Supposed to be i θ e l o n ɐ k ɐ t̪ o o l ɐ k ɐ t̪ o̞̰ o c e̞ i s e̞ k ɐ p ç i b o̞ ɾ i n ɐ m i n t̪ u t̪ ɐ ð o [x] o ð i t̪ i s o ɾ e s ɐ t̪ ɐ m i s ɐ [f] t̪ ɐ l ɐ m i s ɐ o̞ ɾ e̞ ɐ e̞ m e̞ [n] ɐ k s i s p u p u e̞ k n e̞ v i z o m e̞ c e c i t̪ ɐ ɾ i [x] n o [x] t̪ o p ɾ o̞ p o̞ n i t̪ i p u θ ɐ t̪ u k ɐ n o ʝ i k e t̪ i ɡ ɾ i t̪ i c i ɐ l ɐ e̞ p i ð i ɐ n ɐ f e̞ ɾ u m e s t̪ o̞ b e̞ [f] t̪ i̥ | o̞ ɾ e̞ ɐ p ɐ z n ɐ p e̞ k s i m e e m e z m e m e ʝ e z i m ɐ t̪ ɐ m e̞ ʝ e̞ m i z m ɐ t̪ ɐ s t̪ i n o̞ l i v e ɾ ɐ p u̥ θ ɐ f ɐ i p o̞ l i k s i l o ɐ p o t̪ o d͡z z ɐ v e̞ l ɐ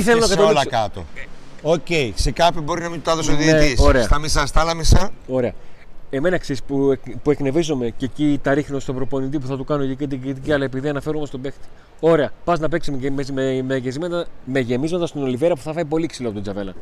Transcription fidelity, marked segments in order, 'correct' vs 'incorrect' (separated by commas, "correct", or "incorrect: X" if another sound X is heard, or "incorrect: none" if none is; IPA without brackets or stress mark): incorrect: s, incorrect: s, correct, correct, incorrect: s, incorrect: x